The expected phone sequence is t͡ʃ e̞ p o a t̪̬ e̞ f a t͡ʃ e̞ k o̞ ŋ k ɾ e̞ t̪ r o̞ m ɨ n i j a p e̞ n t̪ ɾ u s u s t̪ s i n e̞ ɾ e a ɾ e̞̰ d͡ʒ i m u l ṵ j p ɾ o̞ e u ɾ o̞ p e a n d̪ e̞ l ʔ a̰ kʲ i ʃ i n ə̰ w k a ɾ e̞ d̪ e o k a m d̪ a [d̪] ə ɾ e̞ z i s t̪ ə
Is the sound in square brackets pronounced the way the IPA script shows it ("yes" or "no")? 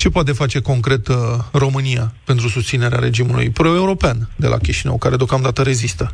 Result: no